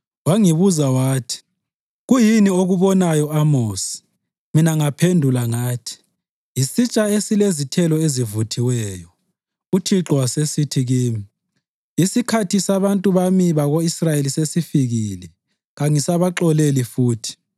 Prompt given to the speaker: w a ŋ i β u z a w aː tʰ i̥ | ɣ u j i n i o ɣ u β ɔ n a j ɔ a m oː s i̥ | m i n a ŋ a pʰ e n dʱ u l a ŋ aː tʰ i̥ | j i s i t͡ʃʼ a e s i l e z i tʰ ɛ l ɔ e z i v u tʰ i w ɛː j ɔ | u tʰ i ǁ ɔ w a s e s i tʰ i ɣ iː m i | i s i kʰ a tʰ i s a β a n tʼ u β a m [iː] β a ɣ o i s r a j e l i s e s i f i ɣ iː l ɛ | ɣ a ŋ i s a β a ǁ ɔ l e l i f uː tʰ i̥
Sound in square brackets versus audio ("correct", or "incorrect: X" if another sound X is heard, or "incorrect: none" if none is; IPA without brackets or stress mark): incorrect: i